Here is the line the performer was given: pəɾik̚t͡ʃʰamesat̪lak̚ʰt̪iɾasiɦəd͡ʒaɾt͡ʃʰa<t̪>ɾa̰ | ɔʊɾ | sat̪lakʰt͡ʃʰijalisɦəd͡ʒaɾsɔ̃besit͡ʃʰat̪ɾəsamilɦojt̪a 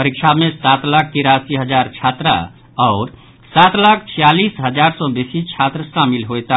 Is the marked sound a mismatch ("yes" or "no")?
no